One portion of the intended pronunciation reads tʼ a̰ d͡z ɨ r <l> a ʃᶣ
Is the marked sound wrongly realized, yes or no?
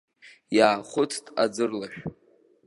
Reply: no